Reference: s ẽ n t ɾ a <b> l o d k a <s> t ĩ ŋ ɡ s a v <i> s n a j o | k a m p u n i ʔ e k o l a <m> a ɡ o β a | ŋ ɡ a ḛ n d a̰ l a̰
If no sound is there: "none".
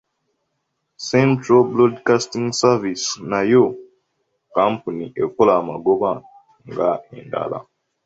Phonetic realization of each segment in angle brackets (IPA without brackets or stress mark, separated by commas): b, s, i, m